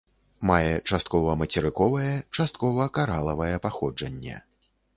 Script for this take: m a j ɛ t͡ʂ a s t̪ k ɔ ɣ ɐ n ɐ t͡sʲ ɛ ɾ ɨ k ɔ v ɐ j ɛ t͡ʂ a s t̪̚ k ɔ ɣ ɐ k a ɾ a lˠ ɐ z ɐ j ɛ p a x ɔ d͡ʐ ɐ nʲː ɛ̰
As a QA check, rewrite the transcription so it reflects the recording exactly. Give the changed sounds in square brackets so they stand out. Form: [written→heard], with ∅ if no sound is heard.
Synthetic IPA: m a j ɛ t͡ʂ a s t̪ k ɔ [ɣ→v] ɐ [n→m] ɐ t͡sʲ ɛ ɾ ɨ k ɔ v ɐ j ɛ t͡ʂ a s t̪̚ k ɔ [ɣ→v] ɐ k a ɾ a lˠ ɐ [z→v] ɐ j ɛ p a x ɔ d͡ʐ ɐ nʲː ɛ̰